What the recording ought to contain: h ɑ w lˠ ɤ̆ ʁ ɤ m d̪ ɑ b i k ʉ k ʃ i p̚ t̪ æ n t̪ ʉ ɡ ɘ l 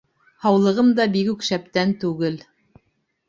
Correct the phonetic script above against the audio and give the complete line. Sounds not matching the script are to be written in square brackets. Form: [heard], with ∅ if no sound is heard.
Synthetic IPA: h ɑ w lˠ ɤ̆ ʁ ɤ m d̪ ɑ b i k ʉ k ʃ [æ] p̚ t̪ æ n t̪ ʉ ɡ ɘ l